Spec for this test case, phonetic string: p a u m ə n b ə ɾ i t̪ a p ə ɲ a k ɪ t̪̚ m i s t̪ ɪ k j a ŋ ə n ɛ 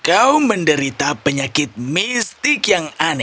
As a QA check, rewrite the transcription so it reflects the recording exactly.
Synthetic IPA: k a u m ə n d ə ɾ i t̪ a p ə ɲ a k ɪ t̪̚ m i s t̪ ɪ k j a ŋ a n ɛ